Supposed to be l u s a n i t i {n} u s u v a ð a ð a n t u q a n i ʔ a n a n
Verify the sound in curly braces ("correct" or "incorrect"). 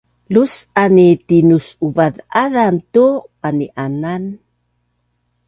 correct